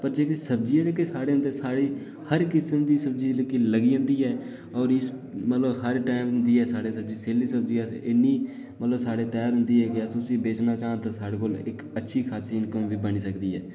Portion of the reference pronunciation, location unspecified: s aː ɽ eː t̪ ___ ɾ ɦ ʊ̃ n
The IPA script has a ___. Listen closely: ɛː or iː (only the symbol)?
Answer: ɛː